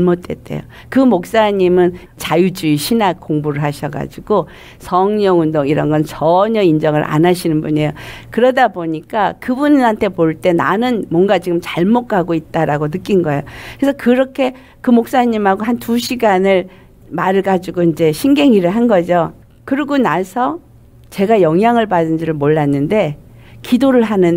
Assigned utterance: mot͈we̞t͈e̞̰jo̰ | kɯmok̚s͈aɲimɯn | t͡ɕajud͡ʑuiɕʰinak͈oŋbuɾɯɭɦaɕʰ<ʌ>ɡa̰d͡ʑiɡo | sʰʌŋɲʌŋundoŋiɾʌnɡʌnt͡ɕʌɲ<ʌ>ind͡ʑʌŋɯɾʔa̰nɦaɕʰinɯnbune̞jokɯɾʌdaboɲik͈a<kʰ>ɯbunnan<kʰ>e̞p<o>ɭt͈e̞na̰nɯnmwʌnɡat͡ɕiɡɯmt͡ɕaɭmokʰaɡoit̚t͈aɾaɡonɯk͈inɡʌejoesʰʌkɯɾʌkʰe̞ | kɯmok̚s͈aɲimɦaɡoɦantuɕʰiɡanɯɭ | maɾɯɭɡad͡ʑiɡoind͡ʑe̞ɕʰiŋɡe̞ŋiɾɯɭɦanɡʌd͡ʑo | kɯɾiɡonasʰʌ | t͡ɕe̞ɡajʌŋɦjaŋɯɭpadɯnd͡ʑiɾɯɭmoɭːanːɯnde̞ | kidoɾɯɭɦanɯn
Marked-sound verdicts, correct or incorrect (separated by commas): correct, correct, incorrect, incorrect, correct